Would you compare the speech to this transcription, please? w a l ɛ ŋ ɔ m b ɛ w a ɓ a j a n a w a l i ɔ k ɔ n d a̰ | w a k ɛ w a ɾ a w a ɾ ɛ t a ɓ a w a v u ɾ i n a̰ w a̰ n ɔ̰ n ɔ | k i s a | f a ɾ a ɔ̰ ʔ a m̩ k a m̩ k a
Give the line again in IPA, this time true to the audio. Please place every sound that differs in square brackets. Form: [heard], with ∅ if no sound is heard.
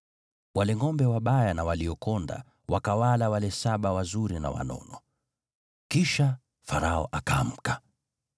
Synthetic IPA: w a l ɛ ŋ ɔ m b ɛ w a ɓ a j a n a w a l i ɔ k ɔ n d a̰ | w a k [a] w a [l] a w a [l] ɛ [s] a ɓ a w a [z] u ɾ i n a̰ w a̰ n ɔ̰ n ɔ | k i [ʃ] a | f a ɾ a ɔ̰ ʔ a [∅] k a m̩ k a